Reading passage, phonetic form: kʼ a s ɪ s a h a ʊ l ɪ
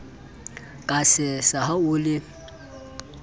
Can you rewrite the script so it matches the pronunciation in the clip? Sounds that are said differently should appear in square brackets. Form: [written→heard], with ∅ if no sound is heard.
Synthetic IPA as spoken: kʼ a s ɪ s a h a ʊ l ɪ